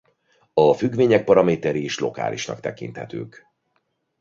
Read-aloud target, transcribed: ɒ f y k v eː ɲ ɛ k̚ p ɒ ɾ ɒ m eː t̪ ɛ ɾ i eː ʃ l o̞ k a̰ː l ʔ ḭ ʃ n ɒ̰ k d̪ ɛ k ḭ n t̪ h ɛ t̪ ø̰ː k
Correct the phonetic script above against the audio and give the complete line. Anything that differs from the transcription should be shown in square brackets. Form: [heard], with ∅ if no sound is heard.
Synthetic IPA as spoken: ɒ f y [ɡ] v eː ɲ ɛ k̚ p ɒ ɾ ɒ m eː t̪ ɛ ɾ i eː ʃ l o̞ k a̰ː l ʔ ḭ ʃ n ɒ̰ k [t̪] ɛ k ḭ n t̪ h ɛ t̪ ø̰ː k